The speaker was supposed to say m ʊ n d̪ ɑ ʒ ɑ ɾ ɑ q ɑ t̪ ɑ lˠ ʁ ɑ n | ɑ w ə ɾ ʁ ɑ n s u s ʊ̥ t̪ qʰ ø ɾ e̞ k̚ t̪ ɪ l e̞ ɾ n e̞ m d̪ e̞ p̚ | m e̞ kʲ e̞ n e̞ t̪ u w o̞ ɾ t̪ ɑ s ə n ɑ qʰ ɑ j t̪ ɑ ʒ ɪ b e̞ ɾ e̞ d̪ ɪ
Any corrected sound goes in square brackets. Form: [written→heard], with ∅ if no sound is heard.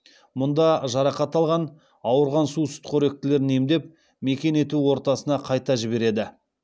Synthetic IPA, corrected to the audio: m ʊ n d̪ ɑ ʒ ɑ ɾ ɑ q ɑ t̪ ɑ lˠ ʁ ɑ n | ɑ w ə ɾ ʁ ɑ n s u s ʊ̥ t̪ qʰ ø ɾ e̞ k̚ t̪ ɪ l e̞ ɾ n e̞ m d̪ e̞ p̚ | m e̞ kʲ e̞ n e̞ t̪ u w o̞ ɾ t̪ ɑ s ə n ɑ qʰ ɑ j t̪ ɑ ʒ ɪ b e̞ ɾ e̞ d̪ ɪ